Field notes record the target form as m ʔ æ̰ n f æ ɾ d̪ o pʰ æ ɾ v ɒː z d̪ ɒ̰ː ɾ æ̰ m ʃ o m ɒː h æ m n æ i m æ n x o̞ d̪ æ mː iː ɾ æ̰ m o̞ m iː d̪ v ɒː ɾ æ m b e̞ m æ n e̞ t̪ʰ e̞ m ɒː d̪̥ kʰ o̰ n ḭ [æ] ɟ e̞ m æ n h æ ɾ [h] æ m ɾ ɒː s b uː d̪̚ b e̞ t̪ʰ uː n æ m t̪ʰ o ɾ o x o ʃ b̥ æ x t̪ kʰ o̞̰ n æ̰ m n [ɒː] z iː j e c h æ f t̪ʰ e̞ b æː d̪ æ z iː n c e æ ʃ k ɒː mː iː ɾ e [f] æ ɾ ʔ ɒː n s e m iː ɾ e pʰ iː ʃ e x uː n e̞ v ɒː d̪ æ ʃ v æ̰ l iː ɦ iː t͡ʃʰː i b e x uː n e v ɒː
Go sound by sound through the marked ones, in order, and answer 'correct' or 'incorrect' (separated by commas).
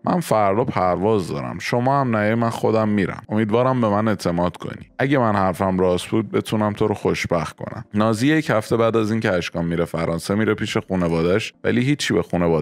correct, incorrect, correct, correct